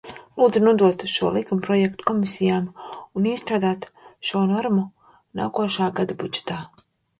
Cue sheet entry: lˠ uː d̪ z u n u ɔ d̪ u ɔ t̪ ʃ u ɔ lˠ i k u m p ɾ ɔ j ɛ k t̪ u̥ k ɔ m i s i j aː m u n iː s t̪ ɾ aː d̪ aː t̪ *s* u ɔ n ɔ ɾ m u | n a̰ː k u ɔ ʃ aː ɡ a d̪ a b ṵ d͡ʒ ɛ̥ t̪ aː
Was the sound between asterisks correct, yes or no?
no